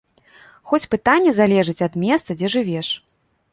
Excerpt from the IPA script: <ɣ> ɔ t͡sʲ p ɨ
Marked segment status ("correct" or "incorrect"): incorrect